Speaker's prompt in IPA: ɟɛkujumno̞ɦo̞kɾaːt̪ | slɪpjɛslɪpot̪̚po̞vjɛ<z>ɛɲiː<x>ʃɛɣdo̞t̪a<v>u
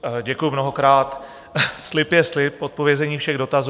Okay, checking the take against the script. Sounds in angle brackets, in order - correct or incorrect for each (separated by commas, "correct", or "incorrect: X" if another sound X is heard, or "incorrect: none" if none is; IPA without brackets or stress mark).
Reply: correct, incorrect: f, incorrect: z